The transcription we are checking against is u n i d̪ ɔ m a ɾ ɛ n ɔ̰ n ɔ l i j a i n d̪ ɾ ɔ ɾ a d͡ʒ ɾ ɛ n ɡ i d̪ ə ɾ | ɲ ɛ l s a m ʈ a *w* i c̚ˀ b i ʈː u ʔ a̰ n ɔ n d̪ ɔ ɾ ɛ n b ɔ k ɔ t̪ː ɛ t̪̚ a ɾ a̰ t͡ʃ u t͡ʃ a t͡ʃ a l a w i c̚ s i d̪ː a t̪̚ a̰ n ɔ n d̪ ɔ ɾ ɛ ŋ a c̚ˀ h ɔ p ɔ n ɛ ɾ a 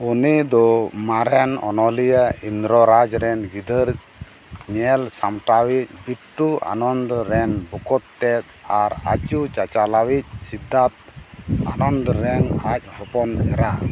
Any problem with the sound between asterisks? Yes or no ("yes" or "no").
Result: no